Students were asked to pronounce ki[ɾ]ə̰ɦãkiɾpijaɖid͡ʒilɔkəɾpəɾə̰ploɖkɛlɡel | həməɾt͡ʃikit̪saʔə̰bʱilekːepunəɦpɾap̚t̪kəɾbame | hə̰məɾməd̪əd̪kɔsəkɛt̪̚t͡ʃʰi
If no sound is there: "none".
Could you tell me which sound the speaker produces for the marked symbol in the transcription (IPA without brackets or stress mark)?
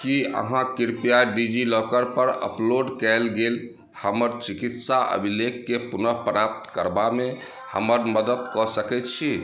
none